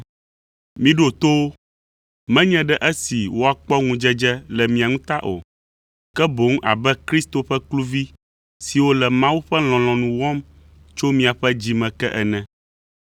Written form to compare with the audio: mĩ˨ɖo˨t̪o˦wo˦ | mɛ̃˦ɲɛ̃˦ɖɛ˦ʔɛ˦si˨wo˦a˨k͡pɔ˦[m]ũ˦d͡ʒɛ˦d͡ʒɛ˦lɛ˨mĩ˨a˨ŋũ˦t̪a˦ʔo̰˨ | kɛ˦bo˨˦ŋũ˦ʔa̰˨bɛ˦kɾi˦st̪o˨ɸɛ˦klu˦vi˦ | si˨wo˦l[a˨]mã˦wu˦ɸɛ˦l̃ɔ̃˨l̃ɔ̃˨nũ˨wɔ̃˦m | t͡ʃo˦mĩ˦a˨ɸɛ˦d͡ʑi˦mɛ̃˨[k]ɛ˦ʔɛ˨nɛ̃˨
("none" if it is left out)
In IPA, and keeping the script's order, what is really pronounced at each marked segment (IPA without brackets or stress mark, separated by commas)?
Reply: ŋ, ɛ˨, k